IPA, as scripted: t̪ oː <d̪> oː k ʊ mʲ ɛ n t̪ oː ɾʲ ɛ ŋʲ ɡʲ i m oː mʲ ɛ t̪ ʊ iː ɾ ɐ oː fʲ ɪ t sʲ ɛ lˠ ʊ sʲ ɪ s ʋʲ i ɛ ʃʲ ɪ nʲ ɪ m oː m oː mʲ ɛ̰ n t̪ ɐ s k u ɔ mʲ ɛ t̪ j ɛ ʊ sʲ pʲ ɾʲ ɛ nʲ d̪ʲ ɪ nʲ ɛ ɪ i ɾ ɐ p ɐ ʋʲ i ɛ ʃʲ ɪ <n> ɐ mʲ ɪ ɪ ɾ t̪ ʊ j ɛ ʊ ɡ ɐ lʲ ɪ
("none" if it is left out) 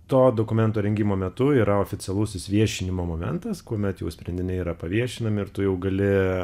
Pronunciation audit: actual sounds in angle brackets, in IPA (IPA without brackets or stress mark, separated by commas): d̪, n